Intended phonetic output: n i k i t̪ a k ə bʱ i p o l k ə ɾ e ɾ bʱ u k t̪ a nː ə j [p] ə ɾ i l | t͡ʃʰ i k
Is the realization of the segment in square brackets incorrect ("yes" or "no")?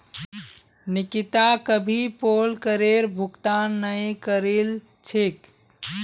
yes